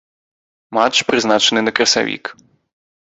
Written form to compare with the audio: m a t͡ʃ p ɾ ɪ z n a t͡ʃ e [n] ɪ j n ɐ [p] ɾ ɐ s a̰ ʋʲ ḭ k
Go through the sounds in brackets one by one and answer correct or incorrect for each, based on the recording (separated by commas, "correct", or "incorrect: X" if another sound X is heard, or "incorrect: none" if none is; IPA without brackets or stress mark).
correct, incorrect: k